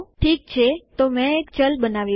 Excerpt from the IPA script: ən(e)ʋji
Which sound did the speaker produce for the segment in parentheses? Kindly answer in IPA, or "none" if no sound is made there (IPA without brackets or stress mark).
a